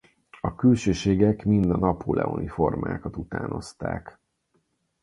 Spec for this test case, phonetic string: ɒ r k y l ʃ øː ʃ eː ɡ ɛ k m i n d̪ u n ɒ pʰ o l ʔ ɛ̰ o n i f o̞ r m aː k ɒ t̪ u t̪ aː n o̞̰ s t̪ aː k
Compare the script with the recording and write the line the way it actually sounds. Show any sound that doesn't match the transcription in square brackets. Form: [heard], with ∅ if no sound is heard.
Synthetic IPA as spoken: ɒ [∅] k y l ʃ øː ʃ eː ɡ ɛ k m i n d̪ [ɒ] n ɒ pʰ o l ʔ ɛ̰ o n i f o̞ r m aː k ɒ t̪ u t̪ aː n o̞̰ s t̪ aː k